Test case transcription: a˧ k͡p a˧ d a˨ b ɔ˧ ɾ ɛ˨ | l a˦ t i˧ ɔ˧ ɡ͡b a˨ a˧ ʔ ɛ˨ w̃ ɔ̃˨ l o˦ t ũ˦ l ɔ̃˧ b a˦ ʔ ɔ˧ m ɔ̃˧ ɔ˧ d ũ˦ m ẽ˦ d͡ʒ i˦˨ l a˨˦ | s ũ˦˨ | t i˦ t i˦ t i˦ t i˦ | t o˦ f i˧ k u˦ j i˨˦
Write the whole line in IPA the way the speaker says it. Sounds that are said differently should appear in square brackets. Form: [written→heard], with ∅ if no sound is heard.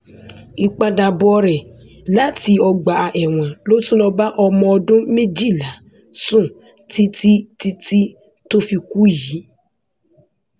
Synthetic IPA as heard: [a˧→i˧] k͡p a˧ d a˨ b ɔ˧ ɾ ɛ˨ | l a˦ t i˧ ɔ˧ ɡ͡b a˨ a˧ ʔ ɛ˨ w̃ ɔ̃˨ l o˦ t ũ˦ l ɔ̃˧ b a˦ ʔ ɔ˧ m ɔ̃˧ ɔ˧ d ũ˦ m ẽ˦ d͡ʒ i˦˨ l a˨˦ | s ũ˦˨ | t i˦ t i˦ t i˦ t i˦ | t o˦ f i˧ k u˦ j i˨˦